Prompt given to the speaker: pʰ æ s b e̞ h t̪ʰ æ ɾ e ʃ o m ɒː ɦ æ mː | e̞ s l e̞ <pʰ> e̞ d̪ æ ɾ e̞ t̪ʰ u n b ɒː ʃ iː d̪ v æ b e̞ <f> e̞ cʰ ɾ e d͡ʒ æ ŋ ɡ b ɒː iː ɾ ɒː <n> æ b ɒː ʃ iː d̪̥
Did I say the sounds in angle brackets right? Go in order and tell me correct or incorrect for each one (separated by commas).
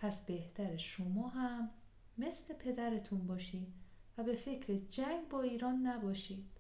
correct, correct, incorrect